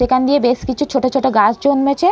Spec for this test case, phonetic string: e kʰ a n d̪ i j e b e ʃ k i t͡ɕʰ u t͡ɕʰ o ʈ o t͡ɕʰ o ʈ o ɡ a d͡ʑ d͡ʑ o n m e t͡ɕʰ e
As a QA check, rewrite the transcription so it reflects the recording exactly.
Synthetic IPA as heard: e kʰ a n d̪ i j e b e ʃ k i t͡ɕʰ u t͡ɕʰ o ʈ o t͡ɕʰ o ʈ o ɡ a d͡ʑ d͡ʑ o n m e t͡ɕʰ e